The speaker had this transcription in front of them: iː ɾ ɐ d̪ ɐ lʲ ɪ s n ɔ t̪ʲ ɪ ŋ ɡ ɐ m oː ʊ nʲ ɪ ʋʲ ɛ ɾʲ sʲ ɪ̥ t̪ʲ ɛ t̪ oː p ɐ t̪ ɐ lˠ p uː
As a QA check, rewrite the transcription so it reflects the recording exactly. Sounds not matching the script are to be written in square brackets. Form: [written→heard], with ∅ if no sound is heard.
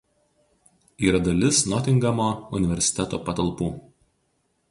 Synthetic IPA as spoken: iː ɾ ɐ d̪ ɐ lʲ ɪ s n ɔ t̪ʲ ɪ ŋ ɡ ɐ m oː ʊ nʲ ɪ ʋʲ ɛ ɾʲ sʲ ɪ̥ t̪ʲ ɛ t̪ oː p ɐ t̪ ɐ lˠ p uː